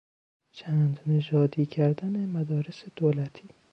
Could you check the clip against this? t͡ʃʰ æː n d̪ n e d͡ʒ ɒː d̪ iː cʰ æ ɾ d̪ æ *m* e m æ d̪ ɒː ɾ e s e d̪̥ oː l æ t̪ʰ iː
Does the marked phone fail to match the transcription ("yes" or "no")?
yes